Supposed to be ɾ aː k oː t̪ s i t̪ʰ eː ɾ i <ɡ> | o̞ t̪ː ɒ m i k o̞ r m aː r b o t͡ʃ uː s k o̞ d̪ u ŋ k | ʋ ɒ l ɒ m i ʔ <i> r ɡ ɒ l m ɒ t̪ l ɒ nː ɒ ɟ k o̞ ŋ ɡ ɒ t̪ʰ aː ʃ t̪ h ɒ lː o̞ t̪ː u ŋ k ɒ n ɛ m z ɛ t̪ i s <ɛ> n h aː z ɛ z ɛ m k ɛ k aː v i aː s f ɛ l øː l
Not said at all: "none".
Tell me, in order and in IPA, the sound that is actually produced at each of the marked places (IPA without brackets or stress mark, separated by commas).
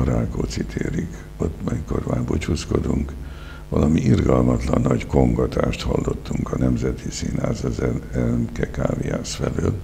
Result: k, i, i